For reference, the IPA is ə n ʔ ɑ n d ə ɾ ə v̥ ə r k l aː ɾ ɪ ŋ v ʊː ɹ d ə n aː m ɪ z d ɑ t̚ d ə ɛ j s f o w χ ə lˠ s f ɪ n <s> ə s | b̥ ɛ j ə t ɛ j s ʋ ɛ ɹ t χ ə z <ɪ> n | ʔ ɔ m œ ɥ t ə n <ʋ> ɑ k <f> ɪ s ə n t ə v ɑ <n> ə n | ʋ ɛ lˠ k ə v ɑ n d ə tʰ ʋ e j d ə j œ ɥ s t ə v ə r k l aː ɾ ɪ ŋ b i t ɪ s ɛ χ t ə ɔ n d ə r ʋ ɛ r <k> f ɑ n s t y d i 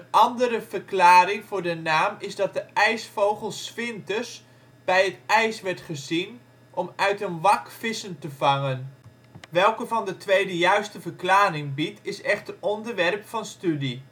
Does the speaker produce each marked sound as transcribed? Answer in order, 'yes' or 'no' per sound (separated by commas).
no, no, yes, yes, no, no